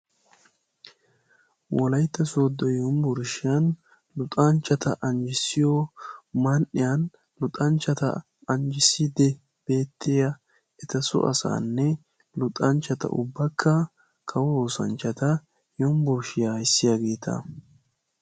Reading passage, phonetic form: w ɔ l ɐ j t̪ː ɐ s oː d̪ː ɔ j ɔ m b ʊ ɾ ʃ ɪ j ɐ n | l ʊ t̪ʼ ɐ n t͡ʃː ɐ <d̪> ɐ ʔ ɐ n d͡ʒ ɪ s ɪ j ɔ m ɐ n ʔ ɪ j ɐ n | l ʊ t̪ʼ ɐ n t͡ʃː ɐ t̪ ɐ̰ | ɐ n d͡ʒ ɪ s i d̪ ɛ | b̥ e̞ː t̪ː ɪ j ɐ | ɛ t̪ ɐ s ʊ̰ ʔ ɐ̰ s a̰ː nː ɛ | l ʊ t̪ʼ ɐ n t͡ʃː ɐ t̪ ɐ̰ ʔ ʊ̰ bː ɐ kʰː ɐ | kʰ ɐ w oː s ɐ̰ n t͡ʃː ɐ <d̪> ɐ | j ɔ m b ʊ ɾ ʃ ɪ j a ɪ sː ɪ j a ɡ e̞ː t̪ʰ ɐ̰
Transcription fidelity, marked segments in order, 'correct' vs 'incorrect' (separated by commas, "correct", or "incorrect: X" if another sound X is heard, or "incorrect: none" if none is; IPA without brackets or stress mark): incorrect: t̪, incorrect: t̪